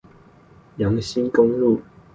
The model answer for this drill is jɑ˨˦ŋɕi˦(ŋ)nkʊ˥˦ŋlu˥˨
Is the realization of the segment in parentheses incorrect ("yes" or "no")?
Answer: yes